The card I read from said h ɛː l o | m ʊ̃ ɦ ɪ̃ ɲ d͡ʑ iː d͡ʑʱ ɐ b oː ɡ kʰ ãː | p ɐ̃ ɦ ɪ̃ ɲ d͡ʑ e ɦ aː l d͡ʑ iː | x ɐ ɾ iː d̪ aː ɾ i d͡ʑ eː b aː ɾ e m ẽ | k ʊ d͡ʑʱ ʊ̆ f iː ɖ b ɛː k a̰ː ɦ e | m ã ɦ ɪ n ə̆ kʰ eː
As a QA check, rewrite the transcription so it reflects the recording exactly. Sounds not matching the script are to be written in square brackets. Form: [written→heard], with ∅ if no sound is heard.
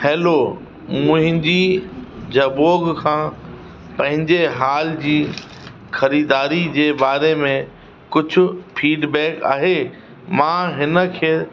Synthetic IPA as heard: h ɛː l o | m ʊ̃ ɦ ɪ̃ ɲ d͡ʑ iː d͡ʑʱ ɐ b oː ɡ kʰ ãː | p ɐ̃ ɦ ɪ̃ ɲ d͡ʑ e ɦ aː l d͡ʑ iː | x ɐ ɾ iː d̪ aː ɾ i d͡ʑ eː b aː ɾ e m ẽ | k ʊ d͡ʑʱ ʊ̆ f iː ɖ b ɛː k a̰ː ɦ e | m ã ɦ ɪ n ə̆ kʰ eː